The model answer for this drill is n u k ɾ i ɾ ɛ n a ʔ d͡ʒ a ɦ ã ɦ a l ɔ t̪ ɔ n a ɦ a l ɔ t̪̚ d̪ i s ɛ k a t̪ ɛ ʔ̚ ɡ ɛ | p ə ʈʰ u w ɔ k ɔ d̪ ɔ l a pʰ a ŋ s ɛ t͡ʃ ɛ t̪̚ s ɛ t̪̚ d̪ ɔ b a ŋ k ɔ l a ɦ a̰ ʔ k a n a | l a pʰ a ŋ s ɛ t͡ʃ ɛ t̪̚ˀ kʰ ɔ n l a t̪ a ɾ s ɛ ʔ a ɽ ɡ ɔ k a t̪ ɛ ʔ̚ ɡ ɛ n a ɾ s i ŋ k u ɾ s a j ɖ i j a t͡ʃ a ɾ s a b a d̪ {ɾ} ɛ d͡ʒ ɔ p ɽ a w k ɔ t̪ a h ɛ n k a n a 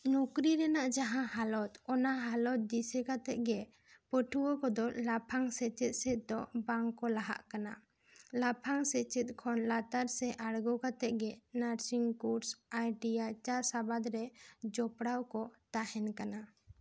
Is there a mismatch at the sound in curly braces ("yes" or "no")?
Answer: no